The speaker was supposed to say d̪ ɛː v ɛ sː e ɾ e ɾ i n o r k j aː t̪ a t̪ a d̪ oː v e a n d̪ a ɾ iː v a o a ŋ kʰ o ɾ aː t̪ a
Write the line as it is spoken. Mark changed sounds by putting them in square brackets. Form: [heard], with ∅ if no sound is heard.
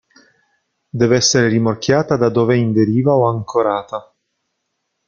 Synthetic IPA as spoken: d̪ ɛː v ɛ sː e ɾ e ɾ i [m] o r k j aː t̪ a [d̪] a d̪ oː v e [i] n d̪ [e] ɾ iː v a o a ŋ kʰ o ɾ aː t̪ a